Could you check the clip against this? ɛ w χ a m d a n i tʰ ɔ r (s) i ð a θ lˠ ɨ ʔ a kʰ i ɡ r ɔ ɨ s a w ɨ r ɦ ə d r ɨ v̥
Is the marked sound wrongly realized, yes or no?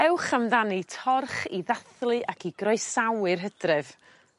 yes